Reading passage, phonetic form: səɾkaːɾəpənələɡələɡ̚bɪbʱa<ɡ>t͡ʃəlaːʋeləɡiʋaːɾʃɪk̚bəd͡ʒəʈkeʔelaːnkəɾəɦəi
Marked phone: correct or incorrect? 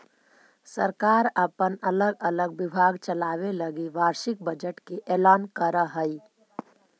correct